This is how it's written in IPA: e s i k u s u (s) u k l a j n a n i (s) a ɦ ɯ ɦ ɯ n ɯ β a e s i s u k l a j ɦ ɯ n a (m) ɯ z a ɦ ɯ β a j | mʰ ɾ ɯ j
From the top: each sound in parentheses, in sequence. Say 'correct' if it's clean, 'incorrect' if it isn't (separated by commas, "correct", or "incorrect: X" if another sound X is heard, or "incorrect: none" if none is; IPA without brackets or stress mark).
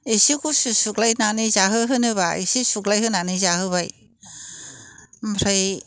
correct, incorrect: z, incorrect: n